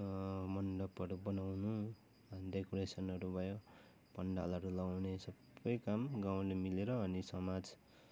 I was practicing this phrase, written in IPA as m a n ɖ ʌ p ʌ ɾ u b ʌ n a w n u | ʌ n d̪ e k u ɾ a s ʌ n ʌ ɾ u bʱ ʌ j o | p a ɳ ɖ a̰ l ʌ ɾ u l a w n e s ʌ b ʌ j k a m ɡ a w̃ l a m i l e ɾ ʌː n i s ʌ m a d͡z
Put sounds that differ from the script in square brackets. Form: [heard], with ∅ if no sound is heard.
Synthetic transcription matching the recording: m [ʌ] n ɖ ʌ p ʌ ɾ u b ʌ n a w n u | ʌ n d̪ e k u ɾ [e] s ʌ n ʌ ɾ u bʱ ʌ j o | p [ʌ] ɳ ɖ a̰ l ʌ ɾ u l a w n e s ʌ b ʌ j k a m ɡ a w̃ l [e] m i l e ɾ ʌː n i s ʌ m a d͡z